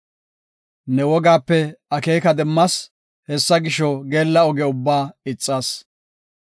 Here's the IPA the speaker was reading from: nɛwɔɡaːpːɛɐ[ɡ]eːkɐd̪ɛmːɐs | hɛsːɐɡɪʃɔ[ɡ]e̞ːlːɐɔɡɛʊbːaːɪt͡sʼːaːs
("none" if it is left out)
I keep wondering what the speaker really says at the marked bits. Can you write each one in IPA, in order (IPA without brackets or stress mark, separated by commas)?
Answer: k, ɡ